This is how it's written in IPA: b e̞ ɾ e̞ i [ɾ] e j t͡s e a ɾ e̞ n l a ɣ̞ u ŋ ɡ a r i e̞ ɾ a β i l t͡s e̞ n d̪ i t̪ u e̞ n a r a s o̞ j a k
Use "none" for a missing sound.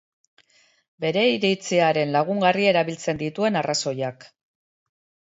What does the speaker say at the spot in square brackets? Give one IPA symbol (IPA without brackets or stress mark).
ɾ